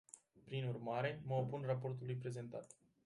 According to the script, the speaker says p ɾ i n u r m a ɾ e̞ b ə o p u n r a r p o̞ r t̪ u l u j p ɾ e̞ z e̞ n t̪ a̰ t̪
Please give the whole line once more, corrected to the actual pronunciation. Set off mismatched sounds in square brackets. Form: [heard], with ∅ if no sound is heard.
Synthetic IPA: p ɾ i n u r m a ɾ e̞ [m] ə o p u n r a [∅] p o̞ r t̪ u l u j p ɾ e̞ z e̞ n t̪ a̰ t̪